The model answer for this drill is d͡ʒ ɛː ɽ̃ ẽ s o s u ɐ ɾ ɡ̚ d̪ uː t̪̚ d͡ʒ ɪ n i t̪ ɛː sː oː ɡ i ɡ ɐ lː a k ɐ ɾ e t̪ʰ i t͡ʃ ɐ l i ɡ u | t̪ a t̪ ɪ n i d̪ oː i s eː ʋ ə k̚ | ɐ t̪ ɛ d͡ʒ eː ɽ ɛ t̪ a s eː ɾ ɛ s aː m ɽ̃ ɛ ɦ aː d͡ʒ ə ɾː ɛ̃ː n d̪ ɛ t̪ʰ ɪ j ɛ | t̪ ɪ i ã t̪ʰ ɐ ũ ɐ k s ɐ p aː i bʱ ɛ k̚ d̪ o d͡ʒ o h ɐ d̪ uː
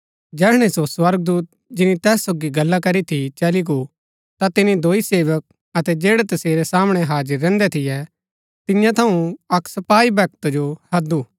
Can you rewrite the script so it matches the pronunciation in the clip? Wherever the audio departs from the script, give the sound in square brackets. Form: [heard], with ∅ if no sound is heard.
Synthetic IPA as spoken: d͡ʒ ɛː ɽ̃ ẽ s o s [w] ɐ ɾ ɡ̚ d̪ uː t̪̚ d͡ʒ ɪ n i t̪ ɛː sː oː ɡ i ɡ ɐ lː a k ɐ ɾ [i] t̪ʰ i t͡ʃ ɐ l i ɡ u | t̪ a t̪ ɪ n i d̪ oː i s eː ʋ ə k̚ | ɐ t̪ ɛ d͡ʒ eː ɽ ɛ t̪ [ɐ] s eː ɾ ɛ s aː m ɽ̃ ɛ ɦ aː d͡ʒ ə ɾː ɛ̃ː n d̪ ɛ t̪ʰ ɪ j ɛ | t̪ ɪ [j] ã t̪ʰ ɐ ũ ɐ k s ɐ p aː i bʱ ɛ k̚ [t̪] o d͡ʒ o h ɐ d̪ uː